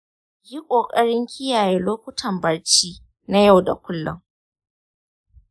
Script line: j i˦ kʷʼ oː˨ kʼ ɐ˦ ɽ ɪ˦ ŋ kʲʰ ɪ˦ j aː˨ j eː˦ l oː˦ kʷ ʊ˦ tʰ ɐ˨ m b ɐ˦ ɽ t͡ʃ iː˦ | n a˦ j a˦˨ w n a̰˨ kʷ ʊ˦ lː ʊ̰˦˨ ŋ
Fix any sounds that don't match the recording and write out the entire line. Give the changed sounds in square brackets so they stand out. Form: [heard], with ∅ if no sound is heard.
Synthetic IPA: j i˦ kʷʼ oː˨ kʼ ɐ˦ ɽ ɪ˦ ŋ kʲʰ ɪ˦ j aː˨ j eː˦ l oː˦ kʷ ʊ˦ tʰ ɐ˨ m b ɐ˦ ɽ t͡ʃ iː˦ | n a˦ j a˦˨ w [d] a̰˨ kʷ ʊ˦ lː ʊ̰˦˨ ŋ

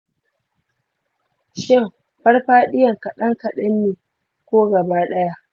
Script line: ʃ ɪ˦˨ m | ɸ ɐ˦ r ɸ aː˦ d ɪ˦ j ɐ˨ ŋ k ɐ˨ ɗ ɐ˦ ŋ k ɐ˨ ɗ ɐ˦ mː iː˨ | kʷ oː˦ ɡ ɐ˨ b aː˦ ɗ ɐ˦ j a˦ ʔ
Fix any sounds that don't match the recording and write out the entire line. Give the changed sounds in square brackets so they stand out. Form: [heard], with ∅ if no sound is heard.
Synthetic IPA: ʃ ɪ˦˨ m | ɸ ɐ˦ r ɸ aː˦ [ɗ] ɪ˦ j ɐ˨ ŋ k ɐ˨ ɗ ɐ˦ ŋ k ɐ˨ ɗ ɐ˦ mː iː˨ | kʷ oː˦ ɡ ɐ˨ b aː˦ ɗ ɐ˦ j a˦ ʔ

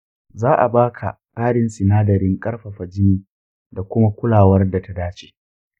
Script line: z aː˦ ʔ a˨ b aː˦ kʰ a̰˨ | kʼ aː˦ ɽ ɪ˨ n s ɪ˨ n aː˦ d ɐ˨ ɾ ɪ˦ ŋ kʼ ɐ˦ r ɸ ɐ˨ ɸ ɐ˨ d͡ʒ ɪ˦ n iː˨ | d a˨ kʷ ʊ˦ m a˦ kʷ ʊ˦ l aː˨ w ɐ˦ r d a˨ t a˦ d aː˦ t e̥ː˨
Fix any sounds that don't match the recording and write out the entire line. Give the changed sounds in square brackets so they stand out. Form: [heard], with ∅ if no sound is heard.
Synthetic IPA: z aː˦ ʔ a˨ b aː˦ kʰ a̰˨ | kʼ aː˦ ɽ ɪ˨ n s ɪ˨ n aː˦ d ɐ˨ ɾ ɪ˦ ŋ kʼ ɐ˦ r ɸ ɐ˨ ɸ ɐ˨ d͡ʒ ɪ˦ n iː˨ | d a˨ kʷ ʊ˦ m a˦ kʷ ʊ˦ l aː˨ w ɐ˦ r d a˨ t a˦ d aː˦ [t͡ʃ] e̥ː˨

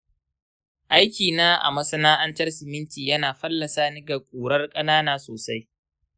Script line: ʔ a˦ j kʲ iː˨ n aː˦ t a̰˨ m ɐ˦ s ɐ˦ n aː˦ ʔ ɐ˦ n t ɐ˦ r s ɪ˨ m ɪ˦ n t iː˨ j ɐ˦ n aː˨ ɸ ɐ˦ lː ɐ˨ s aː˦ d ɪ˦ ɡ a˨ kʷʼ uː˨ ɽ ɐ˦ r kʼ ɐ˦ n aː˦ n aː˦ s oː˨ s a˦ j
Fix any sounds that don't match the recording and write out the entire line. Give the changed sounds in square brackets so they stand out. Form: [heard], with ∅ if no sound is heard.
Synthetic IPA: ʔ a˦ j kʲ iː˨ n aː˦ [ʔ] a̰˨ m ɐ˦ s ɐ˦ n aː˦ ʔ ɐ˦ n t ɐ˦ r s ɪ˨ m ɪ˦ n t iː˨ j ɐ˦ n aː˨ ɸ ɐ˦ lː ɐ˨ s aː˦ [n] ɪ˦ ɡ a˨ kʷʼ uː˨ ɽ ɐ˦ r kʼ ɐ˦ n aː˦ n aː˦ s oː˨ s a˦ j

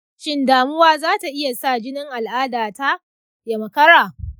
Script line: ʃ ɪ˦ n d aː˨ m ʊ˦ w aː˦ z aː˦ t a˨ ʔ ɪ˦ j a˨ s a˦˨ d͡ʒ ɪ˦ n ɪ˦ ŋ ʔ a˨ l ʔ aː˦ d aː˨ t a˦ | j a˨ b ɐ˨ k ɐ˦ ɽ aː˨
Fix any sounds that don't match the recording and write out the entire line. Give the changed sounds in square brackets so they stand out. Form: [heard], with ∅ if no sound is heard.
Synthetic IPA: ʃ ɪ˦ n d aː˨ m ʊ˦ w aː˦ z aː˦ t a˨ ʔ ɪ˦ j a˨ s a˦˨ d͡ʒ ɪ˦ n ɪ˦ ŋ ʔ a˨ l ʔ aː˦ d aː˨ t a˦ | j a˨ [m] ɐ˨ k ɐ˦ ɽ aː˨

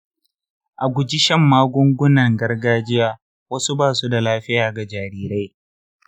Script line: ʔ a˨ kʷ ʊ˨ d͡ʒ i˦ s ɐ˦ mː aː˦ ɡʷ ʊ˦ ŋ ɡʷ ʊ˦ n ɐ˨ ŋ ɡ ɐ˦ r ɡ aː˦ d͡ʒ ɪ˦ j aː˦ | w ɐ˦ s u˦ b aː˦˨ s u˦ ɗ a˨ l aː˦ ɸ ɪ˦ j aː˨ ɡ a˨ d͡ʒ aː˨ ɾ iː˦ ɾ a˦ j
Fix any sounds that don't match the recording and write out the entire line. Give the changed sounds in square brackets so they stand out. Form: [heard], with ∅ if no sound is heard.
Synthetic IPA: ʔ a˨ [ɡʷ] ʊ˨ d͡ʒ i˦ [ʃ] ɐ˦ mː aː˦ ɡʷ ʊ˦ ŋ ɡʷ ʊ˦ n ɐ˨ ŋ ɡ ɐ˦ r ɡ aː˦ d͡ʒ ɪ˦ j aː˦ | w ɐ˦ s u˦ b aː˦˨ s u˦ [d] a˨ l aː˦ ɸ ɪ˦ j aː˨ ɡ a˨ d͡ʒ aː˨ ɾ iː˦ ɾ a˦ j

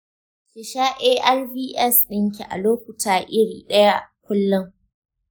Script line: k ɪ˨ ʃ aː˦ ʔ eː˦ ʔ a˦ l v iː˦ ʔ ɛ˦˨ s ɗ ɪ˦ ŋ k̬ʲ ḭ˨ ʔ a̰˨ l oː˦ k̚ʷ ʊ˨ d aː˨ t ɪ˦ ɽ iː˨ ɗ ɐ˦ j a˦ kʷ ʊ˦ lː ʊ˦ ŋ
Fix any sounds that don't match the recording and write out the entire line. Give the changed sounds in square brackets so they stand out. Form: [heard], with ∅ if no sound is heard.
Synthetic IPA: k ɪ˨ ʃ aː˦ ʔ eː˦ ʔ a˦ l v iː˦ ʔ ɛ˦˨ s ɗ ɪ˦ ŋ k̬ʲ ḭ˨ ʔ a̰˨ l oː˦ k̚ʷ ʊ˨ [t] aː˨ [ʔ] ɪ˦ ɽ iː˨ ɗ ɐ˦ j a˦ kʷ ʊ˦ lː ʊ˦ ŋ

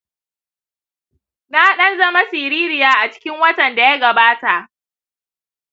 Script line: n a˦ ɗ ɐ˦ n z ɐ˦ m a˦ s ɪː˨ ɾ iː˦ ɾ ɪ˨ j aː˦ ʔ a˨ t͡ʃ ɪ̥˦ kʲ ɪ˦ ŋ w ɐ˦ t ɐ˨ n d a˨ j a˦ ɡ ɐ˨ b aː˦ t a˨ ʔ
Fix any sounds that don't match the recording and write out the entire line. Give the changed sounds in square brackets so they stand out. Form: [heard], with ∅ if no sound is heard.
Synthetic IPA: n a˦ ɗ ɐ˦ n z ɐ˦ m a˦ s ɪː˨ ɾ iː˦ ɾ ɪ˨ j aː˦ ʔ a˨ t͡ʃ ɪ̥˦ kʲ ɪ˦ ŋ w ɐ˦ t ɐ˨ n d a˨ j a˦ ɡ ɐ˨ b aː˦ t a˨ ʔ

